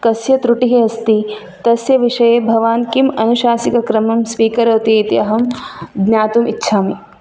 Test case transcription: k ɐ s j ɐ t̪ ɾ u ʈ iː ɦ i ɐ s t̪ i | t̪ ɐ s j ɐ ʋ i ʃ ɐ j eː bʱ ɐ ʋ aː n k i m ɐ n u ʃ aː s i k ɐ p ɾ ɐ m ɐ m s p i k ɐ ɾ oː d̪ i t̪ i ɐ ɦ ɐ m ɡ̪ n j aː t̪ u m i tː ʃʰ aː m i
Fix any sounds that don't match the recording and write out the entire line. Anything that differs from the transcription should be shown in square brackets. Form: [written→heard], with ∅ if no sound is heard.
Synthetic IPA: k ɐ s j ɐ t̪ ɾ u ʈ [iː→i] ɦ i ɐ s t̪ i | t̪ ɐ s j ɐ ʋ i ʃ ɐ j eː bʱ ɐ ʋ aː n k i m ɐ n u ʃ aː s i k ɐ [p→k] ɾ ɐ m ɐ m s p [i→iː] k ɐ ɾ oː [d̪→t̪] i t̪ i ɐ ɦ ɐ m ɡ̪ n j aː t̪ u m i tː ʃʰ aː m i